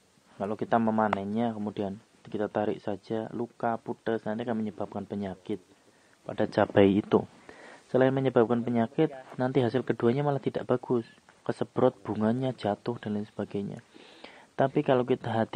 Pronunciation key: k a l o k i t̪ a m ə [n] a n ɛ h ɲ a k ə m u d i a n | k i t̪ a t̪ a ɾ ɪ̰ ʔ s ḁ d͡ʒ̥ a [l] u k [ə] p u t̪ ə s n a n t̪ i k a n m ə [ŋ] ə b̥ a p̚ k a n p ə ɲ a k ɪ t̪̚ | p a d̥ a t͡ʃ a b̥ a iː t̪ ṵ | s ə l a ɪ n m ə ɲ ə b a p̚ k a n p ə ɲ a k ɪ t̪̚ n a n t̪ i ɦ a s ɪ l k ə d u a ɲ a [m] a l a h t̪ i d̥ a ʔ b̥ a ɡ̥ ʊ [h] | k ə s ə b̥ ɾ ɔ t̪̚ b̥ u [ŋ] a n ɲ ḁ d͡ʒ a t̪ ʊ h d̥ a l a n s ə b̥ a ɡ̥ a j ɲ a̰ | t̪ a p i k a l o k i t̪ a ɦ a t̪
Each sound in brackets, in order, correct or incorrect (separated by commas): incorrect, correct, incorrect, incorrect, correct, incorrect, correct